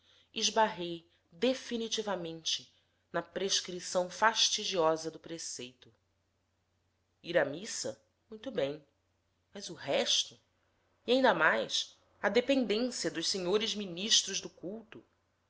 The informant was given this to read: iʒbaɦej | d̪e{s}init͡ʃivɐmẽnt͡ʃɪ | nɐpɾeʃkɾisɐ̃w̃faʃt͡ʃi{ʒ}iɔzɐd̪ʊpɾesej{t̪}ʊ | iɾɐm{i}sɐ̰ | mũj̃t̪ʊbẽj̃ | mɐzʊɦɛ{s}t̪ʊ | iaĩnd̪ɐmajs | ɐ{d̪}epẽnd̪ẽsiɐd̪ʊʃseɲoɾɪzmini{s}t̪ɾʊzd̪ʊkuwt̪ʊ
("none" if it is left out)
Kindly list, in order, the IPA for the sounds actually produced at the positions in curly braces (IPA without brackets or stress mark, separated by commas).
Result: f, d͡ʒ, t̪, i, ʃ, d̪, ʃ